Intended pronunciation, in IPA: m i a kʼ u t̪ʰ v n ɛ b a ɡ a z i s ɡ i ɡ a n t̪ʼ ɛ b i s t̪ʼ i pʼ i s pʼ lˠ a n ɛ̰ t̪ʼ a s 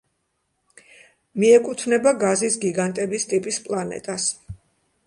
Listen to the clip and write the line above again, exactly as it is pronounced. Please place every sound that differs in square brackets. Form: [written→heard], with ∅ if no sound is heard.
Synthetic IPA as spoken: m i [a→ɛ] kʼ u t̪ʰ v n ɛ b a ɡ a z i s ɡ i ɡ a n t̪ʼ ɛ b i s t̪ʼ i pʼ i s pʼ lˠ a n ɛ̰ t̪ʼ a s